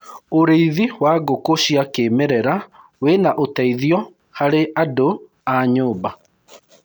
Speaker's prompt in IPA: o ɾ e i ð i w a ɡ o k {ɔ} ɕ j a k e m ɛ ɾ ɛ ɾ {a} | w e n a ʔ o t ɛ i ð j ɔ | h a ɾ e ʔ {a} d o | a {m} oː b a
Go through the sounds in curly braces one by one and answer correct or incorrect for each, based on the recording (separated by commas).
incorrect, correct, correct, incorrect